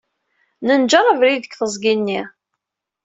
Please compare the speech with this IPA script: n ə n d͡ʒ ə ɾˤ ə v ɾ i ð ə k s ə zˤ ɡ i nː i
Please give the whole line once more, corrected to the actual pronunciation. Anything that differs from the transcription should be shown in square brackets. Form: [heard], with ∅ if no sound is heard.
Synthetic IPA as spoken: n ə n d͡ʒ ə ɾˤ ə v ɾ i ð ə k [θ] ə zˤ ɡ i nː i